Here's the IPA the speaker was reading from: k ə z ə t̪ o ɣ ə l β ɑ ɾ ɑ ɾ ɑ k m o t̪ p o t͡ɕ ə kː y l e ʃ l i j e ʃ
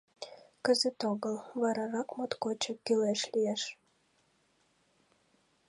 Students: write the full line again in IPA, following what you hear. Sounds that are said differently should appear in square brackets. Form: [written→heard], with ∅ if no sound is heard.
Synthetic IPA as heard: k ə z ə t̪ o ɣ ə l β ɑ ɾ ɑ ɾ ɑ k m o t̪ [p→k] o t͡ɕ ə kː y l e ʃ l i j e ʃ